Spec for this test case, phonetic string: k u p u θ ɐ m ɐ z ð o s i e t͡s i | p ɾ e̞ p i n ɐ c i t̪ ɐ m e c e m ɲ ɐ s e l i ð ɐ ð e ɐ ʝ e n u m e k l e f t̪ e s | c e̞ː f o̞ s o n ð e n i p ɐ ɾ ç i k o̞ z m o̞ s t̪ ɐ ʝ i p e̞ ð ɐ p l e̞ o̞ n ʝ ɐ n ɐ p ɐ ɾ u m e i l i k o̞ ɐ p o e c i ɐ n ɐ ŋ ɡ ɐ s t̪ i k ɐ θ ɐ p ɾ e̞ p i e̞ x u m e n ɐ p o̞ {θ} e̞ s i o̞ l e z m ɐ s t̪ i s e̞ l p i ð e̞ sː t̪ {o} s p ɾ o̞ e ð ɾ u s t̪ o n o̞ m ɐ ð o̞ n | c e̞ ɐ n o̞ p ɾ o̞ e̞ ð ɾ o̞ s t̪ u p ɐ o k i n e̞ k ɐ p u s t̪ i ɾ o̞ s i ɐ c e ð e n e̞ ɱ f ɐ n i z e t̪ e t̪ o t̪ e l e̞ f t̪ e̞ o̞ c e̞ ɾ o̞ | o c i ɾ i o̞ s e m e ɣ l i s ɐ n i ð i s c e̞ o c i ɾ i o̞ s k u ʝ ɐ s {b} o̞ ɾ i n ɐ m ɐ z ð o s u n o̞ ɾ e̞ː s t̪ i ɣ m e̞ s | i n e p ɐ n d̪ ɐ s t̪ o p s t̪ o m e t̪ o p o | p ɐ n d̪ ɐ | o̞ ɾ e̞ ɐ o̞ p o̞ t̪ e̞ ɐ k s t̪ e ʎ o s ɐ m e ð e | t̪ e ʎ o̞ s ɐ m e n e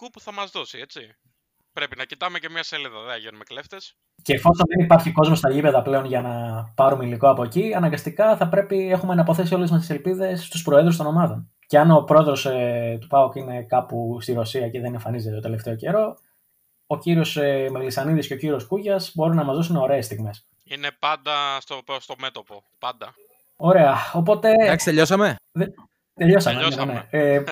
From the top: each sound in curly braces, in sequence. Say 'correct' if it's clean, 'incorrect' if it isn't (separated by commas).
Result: correct, incorrect, correct